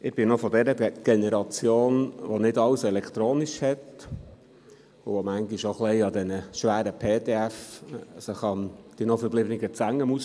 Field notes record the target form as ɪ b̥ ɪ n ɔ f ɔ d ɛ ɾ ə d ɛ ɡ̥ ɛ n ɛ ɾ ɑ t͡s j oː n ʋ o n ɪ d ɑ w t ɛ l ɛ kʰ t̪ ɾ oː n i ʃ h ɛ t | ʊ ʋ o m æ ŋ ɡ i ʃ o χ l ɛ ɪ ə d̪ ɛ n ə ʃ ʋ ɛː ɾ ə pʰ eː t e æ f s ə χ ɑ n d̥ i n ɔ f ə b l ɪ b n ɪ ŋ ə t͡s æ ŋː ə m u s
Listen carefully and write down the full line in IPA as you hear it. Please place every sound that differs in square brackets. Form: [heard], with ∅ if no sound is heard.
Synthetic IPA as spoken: ɪ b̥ ɪ n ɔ f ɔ d ɛ ɾ ə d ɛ ɡ̥ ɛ n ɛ ɾ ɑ t͡s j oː n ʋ o n ɪ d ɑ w [s] ɛ l ɛ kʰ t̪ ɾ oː n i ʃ h ɛ t | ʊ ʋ o m æ ŋ ɡ i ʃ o χ l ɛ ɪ [ɑ] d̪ ɛ n ə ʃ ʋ [æː] ɾ ə pʰ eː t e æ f s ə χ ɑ n d̥ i n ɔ f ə b l ɪ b n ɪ [ɡ] ə t͡s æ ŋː ə m u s